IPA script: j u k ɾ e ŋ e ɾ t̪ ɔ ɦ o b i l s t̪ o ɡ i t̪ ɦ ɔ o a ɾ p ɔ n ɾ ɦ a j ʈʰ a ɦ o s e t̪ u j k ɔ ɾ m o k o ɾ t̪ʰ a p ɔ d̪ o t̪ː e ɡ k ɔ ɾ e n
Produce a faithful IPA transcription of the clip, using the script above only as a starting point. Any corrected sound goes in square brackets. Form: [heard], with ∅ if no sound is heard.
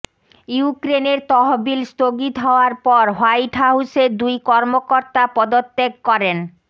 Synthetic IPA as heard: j u k ɾ e [n] e ɾ t̪ ɔ ɦ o b i l s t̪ o ɡ i t̪ ɦ ɔ o a ɾ p ɔ [∅] ɾ ɦ a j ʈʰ a ɦ [u] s e [d̪] u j k ɔ ɾ m o k o ɾ [t̪] a p ɔ d̪ o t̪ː e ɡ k ɔ ɾ e n